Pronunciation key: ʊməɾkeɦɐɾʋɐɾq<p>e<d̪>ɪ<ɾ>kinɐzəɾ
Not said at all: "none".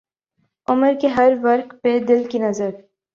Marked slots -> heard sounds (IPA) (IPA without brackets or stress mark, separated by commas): p, d̪, l